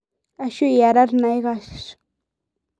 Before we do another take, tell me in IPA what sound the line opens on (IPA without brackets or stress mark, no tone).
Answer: a